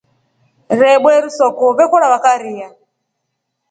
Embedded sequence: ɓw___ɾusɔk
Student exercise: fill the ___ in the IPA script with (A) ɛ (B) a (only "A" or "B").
A